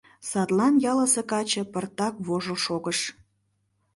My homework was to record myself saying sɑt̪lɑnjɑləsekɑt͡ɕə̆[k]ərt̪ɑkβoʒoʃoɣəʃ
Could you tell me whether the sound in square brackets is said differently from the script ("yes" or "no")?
yes